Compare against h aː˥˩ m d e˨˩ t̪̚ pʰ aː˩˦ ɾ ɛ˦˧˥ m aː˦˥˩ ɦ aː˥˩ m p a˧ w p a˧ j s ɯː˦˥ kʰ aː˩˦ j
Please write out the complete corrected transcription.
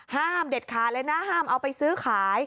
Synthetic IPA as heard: h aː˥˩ m d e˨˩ t̪̚ kʰ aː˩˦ l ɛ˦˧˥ n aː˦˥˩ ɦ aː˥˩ m ʔ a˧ w p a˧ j s ɯː˦˥ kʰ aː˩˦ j